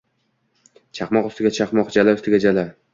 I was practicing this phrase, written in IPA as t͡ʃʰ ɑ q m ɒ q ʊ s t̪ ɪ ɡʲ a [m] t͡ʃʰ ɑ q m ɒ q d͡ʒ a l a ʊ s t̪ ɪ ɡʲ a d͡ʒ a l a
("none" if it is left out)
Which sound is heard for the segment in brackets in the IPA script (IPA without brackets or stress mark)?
none